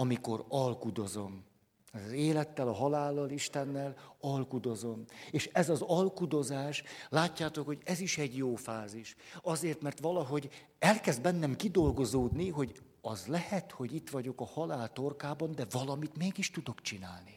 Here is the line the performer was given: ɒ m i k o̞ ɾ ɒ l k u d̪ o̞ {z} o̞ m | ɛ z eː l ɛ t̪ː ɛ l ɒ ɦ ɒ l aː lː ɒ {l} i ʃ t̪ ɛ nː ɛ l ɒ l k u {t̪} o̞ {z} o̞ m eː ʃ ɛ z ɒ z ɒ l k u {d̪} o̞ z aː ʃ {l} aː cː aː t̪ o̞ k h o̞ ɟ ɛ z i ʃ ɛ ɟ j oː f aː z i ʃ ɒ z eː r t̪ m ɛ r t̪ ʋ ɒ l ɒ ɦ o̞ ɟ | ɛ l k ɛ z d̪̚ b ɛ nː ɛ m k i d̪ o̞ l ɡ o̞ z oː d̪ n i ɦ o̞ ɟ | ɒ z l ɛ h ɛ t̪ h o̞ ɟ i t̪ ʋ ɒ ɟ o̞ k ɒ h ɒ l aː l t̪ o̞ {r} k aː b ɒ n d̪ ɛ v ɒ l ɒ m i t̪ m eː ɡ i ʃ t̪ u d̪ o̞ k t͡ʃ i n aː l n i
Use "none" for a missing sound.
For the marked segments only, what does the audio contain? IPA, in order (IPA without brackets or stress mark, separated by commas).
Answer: z, l, d̪, z, d̪, l, r